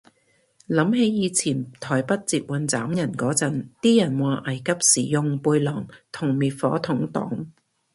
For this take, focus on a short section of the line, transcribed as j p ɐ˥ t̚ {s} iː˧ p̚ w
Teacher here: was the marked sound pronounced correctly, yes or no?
no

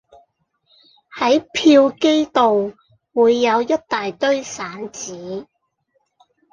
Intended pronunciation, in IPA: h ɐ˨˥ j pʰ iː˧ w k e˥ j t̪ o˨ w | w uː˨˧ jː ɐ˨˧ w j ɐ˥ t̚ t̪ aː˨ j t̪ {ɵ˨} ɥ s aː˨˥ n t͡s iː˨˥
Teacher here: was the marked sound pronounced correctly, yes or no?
no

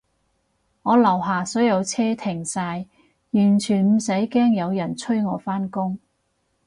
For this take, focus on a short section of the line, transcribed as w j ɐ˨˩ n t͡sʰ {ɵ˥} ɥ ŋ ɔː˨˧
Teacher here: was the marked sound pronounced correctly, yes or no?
yes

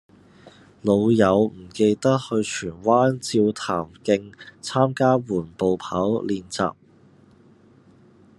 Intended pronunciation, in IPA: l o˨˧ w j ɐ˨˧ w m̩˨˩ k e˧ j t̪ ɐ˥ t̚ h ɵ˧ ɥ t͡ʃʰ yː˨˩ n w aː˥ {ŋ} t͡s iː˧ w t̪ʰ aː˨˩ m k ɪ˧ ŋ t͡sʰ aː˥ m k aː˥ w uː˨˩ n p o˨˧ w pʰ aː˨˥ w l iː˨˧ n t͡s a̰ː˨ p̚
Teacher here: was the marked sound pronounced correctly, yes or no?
no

